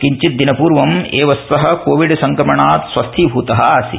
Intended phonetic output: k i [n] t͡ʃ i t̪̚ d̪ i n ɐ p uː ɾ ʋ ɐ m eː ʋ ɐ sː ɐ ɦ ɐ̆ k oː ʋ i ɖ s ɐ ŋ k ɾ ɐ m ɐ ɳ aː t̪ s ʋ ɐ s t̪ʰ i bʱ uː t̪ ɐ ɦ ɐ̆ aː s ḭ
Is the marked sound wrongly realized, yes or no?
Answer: yes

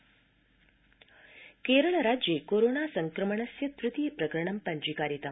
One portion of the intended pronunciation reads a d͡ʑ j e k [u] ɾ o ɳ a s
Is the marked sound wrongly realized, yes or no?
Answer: yes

